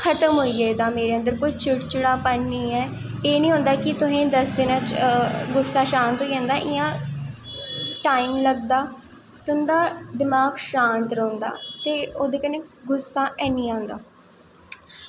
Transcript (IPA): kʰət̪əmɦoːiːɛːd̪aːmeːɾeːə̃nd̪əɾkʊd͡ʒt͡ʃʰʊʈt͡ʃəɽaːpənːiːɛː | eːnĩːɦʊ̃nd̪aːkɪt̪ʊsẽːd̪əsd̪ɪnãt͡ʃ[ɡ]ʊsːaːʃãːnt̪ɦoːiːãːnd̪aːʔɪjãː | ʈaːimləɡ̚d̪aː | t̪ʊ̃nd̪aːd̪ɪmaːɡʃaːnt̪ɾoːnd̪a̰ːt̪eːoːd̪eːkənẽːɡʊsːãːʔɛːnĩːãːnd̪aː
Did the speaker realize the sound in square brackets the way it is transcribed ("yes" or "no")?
yes